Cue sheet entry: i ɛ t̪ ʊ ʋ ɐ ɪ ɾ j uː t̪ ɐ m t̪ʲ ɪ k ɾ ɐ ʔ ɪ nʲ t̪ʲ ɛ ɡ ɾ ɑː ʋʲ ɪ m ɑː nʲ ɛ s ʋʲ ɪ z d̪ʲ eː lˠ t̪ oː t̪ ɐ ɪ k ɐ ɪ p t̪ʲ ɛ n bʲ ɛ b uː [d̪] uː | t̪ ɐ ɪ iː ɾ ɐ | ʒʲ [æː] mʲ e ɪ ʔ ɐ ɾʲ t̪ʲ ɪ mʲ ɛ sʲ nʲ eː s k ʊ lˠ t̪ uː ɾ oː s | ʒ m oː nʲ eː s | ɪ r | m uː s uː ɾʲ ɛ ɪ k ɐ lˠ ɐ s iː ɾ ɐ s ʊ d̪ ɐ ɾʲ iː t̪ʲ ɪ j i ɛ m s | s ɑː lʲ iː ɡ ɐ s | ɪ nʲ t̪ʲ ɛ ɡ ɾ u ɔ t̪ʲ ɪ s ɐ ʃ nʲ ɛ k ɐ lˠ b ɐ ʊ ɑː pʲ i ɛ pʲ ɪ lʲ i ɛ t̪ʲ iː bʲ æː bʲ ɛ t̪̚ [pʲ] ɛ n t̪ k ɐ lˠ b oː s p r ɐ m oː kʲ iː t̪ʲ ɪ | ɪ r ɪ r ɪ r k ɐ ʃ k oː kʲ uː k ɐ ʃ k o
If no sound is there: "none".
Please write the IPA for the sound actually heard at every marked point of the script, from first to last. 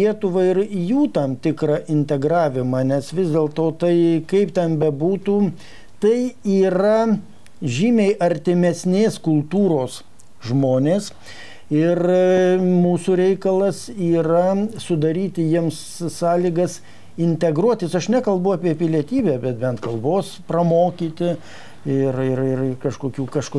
t̪, iː, bʲ

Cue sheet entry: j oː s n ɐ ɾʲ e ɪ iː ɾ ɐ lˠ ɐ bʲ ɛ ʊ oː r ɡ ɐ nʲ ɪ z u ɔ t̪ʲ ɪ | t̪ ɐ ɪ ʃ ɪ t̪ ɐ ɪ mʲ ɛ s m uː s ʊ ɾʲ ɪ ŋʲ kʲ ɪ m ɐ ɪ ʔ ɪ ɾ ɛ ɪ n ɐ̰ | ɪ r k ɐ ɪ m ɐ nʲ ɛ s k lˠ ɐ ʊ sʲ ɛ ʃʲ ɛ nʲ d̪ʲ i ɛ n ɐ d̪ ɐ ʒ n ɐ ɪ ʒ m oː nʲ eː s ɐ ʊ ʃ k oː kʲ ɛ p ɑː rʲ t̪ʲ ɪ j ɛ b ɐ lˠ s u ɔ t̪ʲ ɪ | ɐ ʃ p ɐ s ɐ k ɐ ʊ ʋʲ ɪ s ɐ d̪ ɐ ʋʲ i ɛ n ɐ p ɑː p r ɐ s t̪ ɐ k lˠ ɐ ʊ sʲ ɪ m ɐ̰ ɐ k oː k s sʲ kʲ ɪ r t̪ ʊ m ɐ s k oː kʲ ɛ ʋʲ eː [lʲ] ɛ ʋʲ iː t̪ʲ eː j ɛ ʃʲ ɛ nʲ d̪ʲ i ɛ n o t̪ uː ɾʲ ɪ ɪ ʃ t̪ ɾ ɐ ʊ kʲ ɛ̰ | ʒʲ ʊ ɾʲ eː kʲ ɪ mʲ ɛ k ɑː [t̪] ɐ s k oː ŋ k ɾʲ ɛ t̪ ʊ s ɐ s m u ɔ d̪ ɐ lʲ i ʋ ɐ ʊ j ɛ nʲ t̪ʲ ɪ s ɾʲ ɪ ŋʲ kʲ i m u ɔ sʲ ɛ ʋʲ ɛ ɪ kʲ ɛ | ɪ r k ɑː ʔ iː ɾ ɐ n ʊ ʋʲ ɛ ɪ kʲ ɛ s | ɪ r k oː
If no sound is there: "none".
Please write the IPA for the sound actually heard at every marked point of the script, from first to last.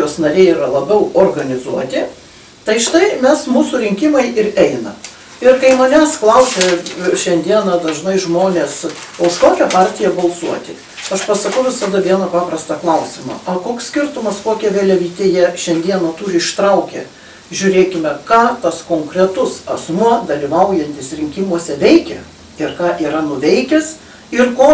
lʲ, t̪

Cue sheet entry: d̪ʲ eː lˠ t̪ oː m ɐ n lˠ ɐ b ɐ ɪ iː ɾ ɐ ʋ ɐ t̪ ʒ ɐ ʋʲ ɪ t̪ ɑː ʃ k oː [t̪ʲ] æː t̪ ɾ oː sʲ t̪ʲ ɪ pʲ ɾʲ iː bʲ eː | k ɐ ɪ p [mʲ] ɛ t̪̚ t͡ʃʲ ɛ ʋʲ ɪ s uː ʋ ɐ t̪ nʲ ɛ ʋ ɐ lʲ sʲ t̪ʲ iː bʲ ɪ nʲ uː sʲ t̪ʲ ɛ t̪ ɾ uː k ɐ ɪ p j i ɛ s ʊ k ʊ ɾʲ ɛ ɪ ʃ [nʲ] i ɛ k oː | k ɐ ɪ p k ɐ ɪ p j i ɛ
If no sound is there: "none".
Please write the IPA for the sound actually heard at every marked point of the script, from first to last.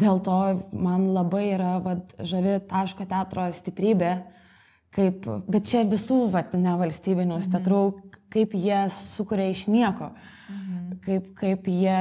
t̪ʲ, bʲ, nʲ

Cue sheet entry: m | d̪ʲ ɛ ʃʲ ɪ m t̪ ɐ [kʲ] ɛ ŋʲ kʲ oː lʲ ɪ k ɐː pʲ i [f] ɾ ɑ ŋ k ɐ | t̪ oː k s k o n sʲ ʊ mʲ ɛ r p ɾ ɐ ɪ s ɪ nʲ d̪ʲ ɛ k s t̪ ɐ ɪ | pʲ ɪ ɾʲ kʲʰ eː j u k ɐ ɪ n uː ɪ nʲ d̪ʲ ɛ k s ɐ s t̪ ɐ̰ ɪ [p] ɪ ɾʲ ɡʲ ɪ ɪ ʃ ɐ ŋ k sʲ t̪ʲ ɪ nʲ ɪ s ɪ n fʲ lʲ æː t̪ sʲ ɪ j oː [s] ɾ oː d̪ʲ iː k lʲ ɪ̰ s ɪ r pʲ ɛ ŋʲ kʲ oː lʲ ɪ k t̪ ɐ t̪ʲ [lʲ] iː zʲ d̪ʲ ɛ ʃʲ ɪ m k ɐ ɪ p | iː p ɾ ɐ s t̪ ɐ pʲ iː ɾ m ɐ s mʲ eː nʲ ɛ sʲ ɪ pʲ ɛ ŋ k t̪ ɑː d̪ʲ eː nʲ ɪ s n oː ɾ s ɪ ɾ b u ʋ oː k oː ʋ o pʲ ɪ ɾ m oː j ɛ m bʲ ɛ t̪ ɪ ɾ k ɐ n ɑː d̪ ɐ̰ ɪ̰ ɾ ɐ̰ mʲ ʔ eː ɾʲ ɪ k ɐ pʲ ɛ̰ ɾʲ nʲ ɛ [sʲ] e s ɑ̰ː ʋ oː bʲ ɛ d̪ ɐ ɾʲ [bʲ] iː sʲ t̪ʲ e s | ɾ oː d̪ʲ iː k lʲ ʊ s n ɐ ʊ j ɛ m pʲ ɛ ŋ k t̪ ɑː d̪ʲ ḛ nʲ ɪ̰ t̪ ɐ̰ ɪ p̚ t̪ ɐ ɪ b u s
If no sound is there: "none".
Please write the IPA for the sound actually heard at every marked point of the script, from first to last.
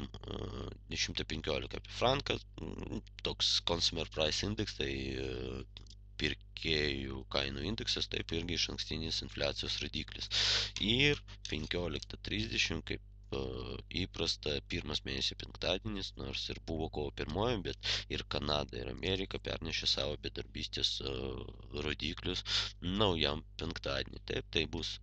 pʲ, f, p, s, ɾʲ, ʃʲ, bʲ

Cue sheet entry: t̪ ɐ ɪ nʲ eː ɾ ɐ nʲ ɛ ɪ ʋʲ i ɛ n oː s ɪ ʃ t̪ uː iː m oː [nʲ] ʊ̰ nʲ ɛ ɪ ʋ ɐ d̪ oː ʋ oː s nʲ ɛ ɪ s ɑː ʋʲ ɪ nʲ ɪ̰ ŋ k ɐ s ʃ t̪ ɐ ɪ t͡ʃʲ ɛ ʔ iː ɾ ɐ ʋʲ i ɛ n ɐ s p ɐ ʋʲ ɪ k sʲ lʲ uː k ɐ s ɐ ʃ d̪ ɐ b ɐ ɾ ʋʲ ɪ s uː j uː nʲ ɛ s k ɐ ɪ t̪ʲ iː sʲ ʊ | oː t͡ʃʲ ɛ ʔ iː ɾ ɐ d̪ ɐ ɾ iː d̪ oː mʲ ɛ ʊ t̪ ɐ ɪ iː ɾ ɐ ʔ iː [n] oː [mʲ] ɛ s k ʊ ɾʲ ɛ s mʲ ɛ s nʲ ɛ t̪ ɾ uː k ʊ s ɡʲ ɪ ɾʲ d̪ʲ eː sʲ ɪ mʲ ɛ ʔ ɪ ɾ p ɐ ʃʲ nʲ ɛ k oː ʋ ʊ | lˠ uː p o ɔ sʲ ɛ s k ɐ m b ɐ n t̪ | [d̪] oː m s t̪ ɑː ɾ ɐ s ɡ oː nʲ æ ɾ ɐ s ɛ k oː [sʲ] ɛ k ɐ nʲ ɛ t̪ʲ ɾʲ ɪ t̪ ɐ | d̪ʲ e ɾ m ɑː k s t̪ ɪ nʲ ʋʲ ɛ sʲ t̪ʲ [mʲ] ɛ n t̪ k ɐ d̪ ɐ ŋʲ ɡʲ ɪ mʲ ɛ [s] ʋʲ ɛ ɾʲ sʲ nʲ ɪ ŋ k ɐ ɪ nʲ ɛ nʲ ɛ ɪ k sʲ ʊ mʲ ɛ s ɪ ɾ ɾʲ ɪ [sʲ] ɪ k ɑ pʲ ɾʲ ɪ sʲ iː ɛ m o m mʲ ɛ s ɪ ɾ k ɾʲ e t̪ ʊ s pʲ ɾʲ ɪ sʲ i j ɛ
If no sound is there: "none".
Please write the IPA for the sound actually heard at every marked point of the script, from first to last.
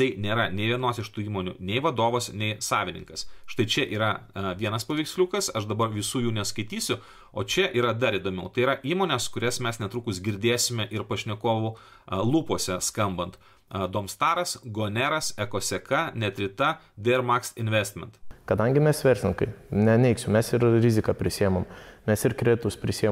nʲ, m, nʲ, d̪, sʲ, mʲ, s, zʲ

